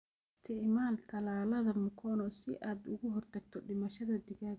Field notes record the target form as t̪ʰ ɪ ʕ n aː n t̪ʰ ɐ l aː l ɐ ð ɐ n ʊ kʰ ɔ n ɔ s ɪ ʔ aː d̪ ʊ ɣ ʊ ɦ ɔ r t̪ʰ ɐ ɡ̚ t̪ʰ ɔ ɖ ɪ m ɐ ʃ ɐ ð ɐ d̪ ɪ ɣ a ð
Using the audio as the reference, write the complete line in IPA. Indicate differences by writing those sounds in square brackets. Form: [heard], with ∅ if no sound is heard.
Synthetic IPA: t̪ʰ ɪ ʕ [m] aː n t̪ʰ ɐ l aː l ɐ ð ɐ [m] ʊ kʰ ɔ n ɔ s ɪ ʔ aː d̪ ʊ ɣ ʊ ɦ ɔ r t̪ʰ ɐ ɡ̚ t̪ʰ ɔ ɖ ɪ m ɐ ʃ ɐ ð ɐ d̪ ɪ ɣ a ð

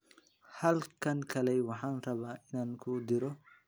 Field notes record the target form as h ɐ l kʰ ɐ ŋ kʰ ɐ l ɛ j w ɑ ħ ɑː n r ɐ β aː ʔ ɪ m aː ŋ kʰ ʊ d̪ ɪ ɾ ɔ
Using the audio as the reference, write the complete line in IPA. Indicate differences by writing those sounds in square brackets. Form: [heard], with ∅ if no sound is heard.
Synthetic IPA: h ɐ l kʰ ɐ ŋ kʰ ɐ l ɛ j w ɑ ħ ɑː n r ɐ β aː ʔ ɪ [n] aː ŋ kʰ ʊ d̪ ɪ ɾ ɔ

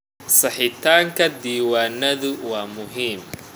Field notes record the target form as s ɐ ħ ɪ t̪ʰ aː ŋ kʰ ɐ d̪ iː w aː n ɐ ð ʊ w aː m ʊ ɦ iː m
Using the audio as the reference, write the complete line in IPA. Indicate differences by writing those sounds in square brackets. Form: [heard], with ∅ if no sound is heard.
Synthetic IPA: s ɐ ħ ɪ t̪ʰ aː ŋ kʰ ɐ d̪ iː w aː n ɐ ð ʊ w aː m ʊ ɦ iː m

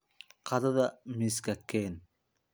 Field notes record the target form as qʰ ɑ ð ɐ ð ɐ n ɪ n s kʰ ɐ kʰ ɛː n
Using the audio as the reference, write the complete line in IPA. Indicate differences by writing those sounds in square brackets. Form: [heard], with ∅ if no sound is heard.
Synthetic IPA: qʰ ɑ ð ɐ ð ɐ [m] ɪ [∅] s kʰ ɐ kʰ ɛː n

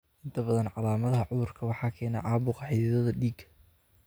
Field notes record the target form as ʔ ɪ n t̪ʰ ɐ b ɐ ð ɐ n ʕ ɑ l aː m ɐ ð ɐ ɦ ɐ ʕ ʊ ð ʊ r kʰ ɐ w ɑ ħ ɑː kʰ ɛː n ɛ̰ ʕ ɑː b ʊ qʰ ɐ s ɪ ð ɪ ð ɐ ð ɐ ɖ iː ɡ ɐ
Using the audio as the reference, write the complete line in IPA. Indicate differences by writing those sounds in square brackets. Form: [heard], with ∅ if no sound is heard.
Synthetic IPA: ʔ ɪ n t̪ʰ ɐ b ɐ ð ɐ n ʕ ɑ l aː m ɐ ð ɐ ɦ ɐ ʕ ʊ ð ʊ r kʰ ɐ w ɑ ħ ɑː kʰ ɛː n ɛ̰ ʕ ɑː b ʊ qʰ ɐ [ħ] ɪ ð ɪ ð ɐ ð ɐ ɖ iː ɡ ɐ

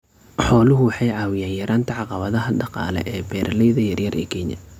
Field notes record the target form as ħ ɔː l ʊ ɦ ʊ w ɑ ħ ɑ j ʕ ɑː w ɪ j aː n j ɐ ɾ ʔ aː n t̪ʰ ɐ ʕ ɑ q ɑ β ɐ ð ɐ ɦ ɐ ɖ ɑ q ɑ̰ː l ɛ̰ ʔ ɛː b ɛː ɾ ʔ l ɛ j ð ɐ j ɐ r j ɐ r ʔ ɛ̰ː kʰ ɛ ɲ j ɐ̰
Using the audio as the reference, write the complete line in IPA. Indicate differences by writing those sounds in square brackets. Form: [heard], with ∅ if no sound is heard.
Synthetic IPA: ħ ɔː l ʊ ɦ ʊ w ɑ ħ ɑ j ʕ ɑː w ɪ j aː n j ɐ ɾ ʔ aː n t̪ʰ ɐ ʕ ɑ q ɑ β ɐ ð ɐ ɦ ɐ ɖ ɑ q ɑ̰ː l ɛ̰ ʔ ɛː b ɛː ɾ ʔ l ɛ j ð ɐ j ɐ r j ɐ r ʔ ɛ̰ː kʰ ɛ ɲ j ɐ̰

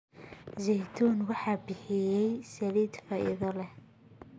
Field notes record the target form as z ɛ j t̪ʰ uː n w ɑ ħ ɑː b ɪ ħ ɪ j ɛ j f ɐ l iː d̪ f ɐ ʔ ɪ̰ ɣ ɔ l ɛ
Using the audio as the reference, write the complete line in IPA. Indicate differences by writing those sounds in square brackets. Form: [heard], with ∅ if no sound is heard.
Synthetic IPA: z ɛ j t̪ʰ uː n w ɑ ħ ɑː b ɪ ħ ɪ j ɛ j [s] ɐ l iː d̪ f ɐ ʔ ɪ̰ [ð] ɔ l ɛ

